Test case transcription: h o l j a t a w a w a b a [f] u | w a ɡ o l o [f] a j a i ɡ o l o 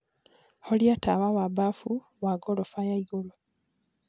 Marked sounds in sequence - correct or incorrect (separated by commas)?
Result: correct, correct